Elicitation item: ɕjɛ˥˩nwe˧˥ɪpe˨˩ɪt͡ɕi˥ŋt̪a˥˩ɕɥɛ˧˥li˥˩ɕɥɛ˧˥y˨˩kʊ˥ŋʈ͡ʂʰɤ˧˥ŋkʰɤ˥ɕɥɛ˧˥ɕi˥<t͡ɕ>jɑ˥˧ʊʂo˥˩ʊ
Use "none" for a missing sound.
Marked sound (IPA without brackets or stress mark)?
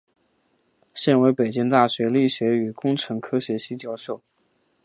t͡ɕ